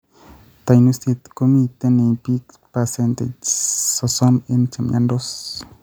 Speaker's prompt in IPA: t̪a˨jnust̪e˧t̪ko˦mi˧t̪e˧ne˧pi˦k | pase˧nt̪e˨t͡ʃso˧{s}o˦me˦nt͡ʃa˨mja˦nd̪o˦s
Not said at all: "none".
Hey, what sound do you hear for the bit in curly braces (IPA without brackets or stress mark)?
s